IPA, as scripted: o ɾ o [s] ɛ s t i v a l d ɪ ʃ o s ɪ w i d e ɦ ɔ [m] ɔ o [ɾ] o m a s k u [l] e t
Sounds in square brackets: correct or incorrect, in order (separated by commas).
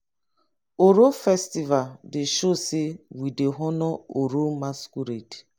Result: incorrect, incorrect, correct, incorrect